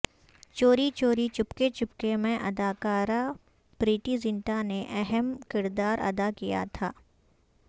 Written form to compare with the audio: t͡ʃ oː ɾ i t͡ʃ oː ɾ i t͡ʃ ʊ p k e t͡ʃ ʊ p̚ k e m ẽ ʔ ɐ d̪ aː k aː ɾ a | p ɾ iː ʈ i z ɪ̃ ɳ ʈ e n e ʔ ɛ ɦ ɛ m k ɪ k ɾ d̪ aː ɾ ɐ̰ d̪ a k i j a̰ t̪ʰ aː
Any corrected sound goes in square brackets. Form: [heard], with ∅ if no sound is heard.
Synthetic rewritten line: t͡ʃ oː ɾ i t͡ʃ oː ɾ i t͡ʃ ʊ p k e t͡ʃ ʊ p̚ k e m ẽ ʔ ɐ d̪ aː k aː ɾ a | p ɾ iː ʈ i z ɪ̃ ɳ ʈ [a] n e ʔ ɛ ɦ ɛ m k ɪ [∅] ɾ d̪ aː ɾ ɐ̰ d̪ a k i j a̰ t̪ʰ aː